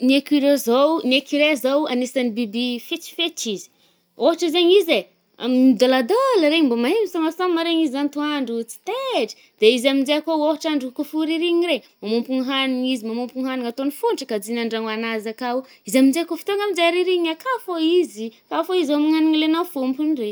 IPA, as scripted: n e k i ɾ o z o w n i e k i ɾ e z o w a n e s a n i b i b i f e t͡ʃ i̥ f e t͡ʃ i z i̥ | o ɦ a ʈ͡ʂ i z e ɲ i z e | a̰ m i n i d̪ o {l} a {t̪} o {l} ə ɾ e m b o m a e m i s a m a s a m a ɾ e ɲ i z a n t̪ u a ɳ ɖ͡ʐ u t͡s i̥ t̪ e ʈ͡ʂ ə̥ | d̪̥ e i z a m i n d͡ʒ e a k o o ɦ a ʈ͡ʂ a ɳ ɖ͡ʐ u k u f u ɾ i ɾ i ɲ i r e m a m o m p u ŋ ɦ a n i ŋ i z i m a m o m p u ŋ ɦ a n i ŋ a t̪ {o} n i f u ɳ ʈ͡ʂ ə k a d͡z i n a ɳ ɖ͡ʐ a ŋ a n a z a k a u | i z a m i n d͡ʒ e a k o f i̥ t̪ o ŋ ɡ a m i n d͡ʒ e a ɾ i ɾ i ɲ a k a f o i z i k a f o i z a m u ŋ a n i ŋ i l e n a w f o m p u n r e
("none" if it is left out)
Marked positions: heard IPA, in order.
l, d̪, l, o

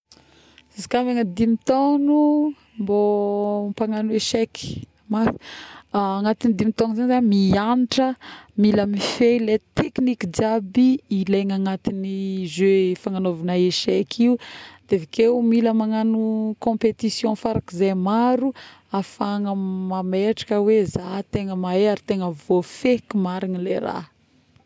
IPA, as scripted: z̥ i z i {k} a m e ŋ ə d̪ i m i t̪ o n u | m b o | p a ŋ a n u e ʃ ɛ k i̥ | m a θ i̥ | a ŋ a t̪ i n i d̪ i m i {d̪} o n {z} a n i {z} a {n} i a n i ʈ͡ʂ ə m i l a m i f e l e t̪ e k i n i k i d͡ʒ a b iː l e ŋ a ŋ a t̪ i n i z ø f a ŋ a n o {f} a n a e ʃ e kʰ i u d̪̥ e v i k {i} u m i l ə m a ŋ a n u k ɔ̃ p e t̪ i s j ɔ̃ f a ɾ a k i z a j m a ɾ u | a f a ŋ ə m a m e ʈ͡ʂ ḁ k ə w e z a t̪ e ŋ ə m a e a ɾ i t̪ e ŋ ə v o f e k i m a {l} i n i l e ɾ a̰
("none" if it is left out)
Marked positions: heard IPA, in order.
k, t̪, z, z, m, v, e, ɾ

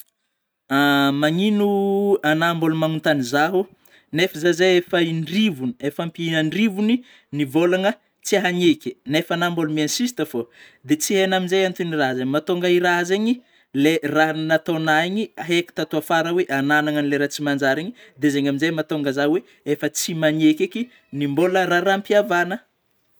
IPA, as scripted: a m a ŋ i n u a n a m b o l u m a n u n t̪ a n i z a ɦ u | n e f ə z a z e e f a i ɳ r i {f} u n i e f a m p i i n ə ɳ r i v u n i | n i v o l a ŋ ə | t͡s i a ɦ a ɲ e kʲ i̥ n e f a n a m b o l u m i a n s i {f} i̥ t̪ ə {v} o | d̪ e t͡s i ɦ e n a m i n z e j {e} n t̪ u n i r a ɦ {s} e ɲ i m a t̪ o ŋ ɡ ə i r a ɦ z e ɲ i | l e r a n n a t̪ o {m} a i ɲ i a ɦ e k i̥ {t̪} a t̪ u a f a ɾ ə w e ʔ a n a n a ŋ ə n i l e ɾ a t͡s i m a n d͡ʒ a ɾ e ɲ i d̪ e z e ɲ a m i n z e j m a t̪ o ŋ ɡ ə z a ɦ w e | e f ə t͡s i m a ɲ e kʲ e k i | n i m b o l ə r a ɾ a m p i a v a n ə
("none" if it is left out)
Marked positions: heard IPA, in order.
v, s, f, a, z, n, t̪

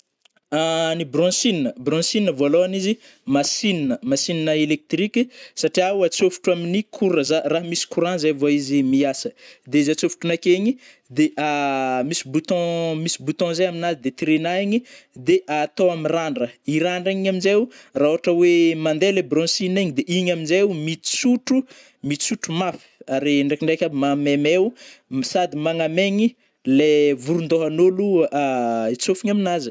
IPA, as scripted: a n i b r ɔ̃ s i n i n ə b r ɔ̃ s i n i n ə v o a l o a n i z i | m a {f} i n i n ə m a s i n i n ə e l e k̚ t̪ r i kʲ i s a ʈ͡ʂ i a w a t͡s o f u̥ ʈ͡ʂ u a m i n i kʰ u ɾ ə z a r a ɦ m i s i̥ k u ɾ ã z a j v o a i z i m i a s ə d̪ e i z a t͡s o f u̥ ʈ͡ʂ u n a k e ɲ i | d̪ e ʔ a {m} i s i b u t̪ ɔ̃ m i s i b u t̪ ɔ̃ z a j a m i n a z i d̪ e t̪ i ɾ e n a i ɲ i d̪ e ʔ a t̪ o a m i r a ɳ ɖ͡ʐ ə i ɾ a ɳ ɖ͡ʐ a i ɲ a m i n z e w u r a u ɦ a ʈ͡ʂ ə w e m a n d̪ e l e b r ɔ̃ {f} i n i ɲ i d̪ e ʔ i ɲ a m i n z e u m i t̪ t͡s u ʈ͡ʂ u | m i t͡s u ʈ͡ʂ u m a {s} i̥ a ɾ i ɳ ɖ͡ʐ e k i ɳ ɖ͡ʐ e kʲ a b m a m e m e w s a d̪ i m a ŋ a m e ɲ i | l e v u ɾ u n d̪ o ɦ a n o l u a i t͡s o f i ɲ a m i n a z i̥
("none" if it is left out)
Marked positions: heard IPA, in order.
s, m, s, f

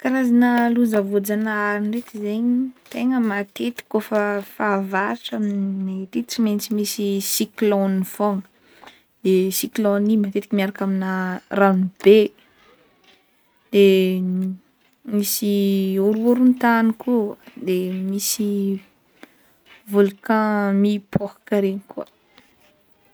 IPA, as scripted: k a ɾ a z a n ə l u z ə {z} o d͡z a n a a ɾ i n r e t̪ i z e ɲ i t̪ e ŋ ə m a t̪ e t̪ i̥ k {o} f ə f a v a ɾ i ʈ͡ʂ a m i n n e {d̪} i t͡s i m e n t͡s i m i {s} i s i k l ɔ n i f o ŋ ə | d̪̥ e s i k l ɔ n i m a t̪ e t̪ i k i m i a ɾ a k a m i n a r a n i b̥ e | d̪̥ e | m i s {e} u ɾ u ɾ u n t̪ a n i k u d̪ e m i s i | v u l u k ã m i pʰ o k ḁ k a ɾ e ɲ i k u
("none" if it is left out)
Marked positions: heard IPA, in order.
v, o, t̪, s, i

